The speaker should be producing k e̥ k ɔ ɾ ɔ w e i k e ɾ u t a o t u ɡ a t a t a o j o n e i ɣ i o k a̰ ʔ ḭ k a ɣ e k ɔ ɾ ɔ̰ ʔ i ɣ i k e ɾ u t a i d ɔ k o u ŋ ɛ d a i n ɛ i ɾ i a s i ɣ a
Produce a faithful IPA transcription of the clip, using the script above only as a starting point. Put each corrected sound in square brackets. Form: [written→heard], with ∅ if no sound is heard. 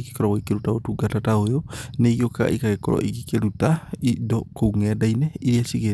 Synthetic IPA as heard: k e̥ k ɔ ɾ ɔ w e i k e ɾ u t a o t u ɡ a t a t a o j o n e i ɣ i o k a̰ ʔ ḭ k a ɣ e k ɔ ɾ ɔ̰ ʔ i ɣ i k e ɾ u t a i d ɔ k o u ŋ ɛ d a i n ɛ i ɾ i a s i ɣ [a→e]